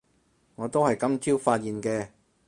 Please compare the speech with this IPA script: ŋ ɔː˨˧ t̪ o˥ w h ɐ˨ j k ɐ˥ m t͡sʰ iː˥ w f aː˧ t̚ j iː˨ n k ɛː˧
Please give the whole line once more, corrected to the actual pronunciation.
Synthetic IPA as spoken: ŋ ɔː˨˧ t̪ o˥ w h ɐ˨ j k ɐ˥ m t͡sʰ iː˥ w f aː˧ t̚ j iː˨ n k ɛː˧